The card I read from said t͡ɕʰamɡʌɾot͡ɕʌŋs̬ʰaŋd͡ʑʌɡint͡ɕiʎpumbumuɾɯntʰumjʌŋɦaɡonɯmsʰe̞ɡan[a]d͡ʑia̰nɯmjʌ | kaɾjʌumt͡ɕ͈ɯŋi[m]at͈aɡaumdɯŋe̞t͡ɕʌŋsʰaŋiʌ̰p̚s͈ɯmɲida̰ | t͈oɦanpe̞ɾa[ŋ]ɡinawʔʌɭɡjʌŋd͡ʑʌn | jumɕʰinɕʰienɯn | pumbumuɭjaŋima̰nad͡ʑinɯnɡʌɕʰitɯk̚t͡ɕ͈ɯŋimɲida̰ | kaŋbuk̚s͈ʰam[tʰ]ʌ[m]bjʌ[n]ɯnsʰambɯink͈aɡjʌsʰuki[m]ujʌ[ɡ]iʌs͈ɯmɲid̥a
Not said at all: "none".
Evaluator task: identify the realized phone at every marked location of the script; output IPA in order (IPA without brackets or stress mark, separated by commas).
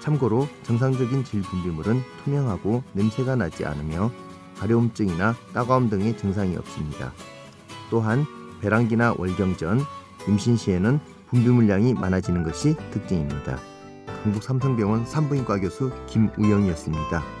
a, n, ŋ, sʰ, ŋ, ŋ, m, ŋ